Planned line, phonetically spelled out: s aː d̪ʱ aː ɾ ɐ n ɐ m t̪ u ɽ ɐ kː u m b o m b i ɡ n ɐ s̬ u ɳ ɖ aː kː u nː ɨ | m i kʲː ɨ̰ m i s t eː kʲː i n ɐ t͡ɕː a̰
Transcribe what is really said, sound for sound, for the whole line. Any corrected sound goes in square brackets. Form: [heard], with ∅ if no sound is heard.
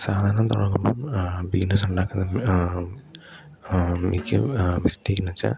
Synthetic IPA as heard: s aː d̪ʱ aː ɾ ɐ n ɐ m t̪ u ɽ ɐ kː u m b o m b i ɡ n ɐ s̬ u ɳ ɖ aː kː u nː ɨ | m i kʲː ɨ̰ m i s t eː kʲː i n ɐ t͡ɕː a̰